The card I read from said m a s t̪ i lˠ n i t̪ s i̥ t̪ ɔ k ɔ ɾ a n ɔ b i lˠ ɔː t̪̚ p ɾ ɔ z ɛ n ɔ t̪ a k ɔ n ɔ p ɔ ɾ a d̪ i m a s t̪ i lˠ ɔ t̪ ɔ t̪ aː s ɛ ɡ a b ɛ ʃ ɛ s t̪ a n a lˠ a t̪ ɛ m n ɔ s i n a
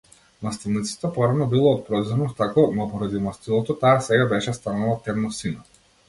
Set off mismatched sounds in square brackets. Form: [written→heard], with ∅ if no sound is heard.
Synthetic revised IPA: m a s t̪ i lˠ n i t̪ s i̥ t̪ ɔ [k→p] ɔ ɾ a n ɔ b i lˠ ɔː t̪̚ p ɾ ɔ z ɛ n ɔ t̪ a k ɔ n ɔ p ɔ ɾ a d̪ i m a s t̪ i lˠ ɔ t̪ ɔ t̪ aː s ɛ ɡ a b ɛ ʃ ɛ s t̪ a n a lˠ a t̪ ɛ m n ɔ s i n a